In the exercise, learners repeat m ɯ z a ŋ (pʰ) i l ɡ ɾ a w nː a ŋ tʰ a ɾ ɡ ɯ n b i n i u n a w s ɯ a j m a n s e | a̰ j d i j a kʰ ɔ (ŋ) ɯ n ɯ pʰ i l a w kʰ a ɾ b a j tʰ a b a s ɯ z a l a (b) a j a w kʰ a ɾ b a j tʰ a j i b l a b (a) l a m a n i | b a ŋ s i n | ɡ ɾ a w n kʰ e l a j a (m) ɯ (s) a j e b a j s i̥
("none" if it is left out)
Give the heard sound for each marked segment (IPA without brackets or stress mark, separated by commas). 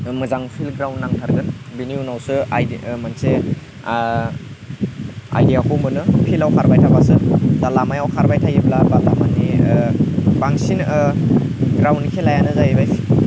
pʰ, m, m, a, n, z